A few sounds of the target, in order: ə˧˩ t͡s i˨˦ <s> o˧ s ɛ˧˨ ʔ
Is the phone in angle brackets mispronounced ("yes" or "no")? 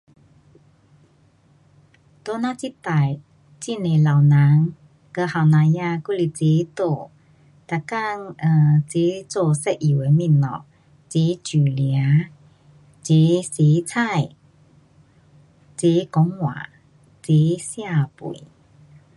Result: yes